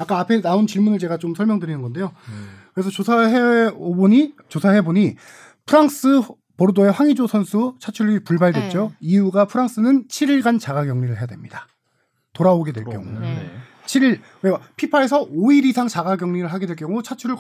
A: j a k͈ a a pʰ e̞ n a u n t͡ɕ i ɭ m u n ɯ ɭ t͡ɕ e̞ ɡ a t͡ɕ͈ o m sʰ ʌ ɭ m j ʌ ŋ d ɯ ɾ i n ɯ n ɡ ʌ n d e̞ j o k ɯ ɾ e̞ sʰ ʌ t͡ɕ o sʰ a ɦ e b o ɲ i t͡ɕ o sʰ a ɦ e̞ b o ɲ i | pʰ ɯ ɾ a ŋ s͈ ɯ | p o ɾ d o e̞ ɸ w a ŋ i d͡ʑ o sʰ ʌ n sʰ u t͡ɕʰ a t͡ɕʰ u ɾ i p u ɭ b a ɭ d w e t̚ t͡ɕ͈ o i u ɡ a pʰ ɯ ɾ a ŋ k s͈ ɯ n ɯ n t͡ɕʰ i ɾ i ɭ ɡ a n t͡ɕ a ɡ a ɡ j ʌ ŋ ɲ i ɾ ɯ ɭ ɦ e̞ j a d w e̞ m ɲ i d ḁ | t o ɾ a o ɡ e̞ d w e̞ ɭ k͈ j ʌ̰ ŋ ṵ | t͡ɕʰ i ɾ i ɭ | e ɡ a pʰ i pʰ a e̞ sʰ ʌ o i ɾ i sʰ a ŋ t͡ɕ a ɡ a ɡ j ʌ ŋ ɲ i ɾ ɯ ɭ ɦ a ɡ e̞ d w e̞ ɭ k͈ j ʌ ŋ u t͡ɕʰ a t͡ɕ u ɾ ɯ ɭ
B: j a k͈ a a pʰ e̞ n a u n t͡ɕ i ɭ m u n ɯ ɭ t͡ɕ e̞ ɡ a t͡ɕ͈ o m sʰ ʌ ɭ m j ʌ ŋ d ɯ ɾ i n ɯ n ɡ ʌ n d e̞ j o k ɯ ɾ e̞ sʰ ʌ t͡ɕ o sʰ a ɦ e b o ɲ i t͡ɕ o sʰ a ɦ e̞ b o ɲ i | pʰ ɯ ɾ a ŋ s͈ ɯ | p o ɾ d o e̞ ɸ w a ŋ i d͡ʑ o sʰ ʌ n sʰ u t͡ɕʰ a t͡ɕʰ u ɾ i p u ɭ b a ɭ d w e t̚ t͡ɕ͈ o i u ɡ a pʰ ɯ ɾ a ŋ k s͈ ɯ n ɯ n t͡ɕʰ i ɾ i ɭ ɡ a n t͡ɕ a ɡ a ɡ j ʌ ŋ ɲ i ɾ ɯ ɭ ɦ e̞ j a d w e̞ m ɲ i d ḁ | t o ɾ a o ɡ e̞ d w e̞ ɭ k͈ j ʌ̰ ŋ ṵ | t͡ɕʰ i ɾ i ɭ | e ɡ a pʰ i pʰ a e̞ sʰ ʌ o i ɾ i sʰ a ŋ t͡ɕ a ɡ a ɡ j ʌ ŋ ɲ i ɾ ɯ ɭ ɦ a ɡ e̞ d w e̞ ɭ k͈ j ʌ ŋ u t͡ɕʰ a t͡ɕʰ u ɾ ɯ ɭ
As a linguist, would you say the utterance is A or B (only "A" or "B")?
B